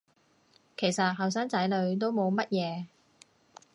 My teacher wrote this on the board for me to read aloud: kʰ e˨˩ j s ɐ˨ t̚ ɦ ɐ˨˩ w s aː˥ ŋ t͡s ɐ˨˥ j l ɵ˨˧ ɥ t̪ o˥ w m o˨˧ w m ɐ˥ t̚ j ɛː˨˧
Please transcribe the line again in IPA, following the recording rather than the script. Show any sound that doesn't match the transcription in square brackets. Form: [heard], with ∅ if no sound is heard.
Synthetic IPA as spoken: kʰ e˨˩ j s ɐ˨ t̚ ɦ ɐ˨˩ w s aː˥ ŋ t͡s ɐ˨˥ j l ɵ˨˧ ɥ t̪ o˥ w m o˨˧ w m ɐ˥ t̚ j ɛː˨˧